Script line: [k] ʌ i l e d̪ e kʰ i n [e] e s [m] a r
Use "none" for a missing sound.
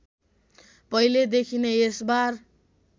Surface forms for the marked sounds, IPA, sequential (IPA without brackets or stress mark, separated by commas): p, e, b